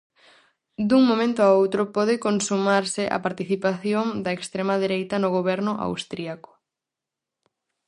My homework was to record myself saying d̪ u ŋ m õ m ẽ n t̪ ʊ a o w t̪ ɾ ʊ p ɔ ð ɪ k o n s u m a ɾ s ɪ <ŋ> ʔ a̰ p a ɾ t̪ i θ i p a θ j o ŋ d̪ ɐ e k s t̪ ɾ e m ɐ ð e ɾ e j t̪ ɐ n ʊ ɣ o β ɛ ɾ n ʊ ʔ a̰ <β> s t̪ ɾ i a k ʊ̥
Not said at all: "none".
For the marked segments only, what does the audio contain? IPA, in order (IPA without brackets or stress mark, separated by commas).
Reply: none, w